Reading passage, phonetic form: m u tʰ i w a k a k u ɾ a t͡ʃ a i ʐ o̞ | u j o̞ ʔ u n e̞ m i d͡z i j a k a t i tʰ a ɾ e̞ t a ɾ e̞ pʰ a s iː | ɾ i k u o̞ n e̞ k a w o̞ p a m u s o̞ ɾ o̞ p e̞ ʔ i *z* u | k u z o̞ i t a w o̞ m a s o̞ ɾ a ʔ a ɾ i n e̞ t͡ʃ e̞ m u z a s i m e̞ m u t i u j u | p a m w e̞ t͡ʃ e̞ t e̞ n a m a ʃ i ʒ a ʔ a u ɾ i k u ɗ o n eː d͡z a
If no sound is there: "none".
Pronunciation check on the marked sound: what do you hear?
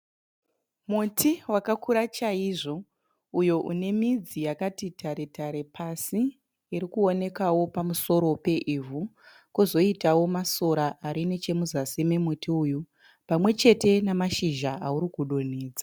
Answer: v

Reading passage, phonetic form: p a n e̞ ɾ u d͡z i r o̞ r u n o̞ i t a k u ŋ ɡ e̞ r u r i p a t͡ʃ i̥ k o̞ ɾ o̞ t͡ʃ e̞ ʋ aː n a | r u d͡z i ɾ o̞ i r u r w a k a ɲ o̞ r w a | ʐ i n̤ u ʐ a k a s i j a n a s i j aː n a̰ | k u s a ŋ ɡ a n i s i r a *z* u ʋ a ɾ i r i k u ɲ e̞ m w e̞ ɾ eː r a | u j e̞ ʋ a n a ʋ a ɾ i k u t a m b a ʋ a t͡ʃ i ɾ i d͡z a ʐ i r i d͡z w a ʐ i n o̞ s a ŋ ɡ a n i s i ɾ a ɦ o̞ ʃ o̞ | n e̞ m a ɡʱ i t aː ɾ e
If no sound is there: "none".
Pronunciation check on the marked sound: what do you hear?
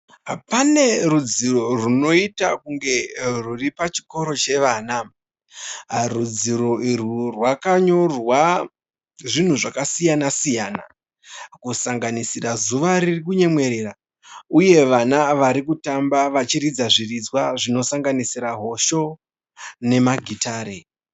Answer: z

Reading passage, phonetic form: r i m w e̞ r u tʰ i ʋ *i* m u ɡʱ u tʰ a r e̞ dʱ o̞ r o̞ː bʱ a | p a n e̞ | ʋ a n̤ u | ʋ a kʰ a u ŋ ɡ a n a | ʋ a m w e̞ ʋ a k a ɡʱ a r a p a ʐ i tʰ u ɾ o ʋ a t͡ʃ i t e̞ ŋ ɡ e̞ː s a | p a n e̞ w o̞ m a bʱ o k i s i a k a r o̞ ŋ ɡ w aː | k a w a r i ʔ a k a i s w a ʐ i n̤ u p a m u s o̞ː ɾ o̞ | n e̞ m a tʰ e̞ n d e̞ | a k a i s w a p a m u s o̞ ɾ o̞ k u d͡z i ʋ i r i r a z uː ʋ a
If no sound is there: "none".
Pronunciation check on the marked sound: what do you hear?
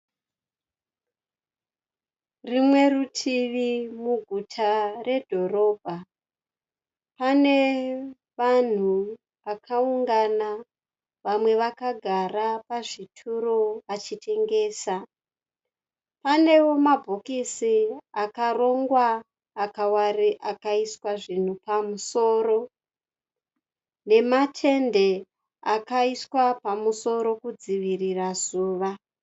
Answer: i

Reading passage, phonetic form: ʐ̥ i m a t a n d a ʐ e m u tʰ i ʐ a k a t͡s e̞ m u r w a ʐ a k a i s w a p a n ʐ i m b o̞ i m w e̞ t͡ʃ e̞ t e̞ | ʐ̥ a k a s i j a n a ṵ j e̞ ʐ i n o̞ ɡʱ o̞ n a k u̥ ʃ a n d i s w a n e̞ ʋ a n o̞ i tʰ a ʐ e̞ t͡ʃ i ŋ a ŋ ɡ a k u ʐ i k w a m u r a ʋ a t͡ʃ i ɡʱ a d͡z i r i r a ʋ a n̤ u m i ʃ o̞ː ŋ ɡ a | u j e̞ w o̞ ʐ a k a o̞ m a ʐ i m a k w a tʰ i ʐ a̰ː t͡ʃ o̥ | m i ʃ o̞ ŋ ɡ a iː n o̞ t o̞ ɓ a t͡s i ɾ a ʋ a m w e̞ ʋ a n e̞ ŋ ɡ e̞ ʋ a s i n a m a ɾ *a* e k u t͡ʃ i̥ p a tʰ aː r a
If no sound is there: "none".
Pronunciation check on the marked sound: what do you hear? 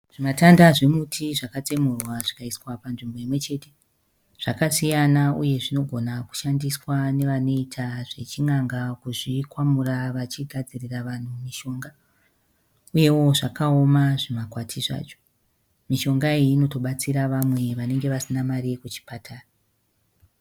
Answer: i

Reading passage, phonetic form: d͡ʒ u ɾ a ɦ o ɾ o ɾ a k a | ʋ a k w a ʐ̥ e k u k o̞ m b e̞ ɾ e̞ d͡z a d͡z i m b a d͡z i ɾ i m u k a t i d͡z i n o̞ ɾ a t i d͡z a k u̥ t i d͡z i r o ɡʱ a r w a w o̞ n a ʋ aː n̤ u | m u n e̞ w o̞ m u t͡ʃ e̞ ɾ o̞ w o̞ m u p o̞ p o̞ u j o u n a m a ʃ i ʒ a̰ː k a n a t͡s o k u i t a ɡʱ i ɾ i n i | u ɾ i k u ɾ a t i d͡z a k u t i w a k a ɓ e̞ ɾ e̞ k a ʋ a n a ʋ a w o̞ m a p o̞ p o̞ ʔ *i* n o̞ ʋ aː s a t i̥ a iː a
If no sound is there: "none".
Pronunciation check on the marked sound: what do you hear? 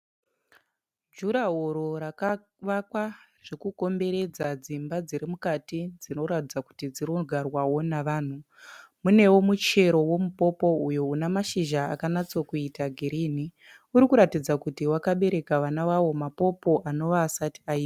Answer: a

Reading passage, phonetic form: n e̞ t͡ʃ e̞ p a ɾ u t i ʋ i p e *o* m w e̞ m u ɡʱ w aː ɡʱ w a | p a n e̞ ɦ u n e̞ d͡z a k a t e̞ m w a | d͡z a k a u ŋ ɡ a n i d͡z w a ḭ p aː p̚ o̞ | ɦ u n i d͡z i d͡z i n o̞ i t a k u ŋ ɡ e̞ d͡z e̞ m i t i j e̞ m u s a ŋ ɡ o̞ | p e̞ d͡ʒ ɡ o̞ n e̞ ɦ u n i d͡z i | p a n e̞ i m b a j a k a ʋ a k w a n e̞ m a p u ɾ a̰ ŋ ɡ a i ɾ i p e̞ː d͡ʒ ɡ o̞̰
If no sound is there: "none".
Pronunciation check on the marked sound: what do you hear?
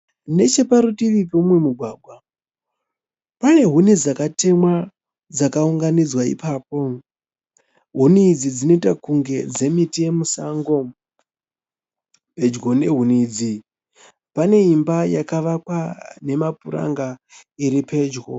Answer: u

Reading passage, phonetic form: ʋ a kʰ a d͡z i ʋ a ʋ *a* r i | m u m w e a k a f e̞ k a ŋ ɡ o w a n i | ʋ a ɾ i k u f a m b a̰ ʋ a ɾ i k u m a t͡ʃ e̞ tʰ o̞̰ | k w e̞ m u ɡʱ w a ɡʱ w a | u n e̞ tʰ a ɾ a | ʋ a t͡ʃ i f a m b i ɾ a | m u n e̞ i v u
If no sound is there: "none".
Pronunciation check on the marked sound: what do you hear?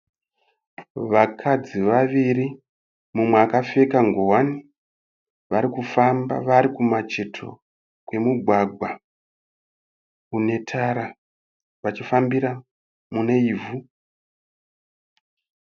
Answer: i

